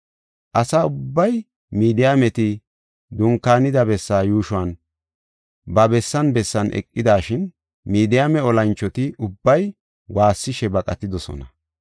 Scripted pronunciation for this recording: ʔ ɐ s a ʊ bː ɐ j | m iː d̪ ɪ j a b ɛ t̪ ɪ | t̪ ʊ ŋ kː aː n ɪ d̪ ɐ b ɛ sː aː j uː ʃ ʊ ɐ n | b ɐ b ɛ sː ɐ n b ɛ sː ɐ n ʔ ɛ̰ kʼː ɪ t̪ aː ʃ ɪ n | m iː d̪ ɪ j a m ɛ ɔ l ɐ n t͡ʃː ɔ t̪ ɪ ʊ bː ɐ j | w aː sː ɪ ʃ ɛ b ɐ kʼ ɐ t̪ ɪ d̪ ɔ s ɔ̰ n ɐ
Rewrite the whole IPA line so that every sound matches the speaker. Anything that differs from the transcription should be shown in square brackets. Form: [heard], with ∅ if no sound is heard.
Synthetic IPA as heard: ʔ ɐ s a ʊ bː ɐ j | m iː d̪ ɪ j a [m] ɛ t̪ ɪ | [d̪] ʊ ŋ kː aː n ɪ d̪ ɐ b ɛ sː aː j uː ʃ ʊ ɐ n | b ɐ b ɛ sː ɐ n b ɛ sː ɐ n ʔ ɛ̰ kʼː ɪ [d̪] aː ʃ ɪ n | m iː d̪ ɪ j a m ɛ ɔ l ɐ n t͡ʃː ɔ t̪ ɪ ʊ bː ɐ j | w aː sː ɪ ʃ ɛ b ɐ kʼ ɐ t̪ ɪ d̪ ɔ s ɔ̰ n ɐ